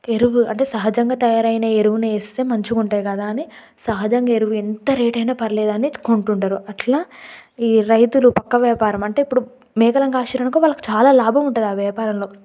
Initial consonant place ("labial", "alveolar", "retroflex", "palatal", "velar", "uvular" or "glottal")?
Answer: alveolar